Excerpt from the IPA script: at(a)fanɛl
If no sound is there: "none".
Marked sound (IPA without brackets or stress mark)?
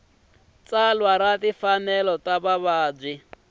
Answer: i